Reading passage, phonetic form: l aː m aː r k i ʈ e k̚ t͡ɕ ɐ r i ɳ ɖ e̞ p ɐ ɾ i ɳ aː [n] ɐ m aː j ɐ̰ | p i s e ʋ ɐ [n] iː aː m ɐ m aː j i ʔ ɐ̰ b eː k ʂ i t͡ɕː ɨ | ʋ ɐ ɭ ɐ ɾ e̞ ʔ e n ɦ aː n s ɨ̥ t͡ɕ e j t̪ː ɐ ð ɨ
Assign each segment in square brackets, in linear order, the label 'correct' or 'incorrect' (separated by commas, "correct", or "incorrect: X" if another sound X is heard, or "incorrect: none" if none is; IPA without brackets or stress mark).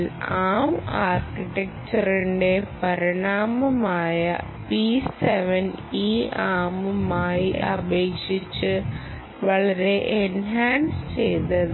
incorrect: m, correct